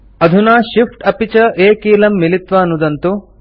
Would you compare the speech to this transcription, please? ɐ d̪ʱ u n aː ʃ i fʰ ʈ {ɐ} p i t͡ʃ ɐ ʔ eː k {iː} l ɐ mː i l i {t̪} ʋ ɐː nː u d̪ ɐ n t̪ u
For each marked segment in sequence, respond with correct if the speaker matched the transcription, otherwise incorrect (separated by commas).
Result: correct, correct, correct